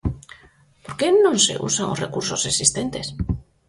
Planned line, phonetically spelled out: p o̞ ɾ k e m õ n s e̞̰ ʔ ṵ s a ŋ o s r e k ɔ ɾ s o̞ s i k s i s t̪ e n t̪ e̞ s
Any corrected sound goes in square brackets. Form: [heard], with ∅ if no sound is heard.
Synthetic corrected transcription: p o̞ ɾ k e [n] õ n s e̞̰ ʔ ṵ s a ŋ o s r e k [u] ɾ s o̞ s [e] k s i s t̪ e n t̪ e̞ s